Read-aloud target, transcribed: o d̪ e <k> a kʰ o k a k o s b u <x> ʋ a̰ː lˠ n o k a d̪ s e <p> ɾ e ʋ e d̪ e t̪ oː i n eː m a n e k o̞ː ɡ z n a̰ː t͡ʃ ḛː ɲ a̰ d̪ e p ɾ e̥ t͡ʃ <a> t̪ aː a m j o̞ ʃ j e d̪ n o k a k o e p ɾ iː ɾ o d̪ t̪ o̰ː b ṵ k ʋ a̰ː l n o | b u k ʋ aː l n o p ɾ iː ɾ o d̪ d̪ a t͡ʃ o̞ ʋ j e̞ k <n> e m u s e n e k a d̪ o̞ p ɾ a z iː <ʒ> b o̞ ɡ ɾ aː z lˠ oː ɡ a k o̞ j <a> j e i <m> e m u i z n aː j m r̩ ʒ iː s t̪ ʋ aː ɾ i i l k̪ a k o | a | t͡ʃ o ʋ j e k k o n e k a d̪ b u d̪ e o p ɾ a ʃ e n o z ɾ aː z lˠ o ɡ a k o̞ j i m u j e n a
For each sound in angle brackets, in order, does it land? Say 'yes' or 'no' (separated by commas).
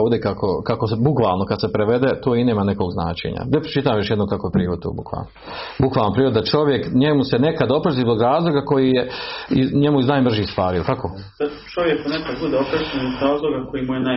yes, no, yes, no, no, no, no, no